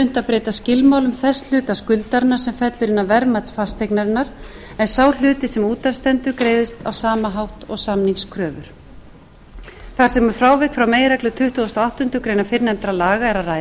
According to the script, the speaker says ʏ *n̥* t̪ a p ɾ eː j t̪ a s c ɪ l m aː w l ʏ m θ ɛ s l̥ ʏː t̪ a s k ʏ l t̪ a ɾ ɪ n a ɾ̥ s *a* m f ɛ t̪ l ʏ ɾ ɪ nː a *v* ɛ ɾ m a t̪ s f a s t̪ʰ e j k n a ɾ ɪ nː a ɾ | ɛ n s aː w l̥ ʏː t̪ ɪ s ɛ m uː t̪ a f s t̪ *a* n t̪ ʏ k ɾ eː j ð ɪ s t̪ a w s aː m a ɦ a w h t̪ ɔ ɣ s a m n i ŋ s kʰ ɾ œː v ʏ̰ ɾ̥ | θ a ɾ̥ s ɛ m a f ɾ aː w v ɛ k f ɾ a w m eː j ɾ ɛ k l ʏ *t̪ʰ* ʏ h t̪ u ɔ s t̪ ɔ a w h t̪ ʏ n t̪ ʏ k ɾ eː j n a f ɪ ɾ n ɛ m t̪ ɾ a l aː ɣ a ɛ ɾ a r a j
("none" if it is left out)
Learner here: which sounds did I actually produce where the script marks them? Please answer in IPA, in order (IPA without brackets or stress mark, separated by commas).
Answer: n̥, ɛ, v, ɛ, t̪ʰ